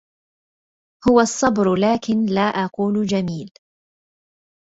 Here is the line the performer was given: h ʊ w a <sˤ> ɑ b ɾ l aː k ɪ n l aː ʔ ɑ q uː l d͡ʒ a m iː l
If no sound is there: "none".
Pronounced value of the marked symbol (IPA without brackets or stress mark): sˤː